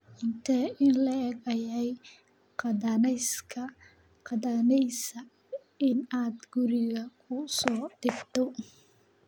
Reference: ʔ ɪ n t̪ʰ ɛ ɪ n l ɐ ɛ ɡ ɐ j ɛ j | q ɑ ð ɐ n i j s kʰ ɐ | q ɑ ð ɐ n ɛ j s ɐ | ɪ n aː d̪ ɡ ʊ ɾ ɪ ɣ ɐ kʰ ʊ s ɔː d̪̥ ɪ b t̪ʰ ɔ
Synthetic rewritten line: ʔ ɪ n t̪ʰ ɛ ɪ n l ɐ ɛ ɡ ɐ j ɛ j | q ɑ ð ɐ n ɛ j s kʰ ɐ | q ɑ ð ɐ n ɛ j s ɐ | ɪ n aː d̪ ɡ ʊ ɾ ɪ ɣ ɐ kʰ ʊ s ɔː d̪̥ ɪ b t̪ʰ ɔ